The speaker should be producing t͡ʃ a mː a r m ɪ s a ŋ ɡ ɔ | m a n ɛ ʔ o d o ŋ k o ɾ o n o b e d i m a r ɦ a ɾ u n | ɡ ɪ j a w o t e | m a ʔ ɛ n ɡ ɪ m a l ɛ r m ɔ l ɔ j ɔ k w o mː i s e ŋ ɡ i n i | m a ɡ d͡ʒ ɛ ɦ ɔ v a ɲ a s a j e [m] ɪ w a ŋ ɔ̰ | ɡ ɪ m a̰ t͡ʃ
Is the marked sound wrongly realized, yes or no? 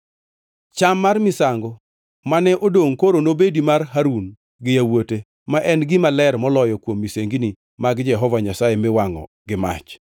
no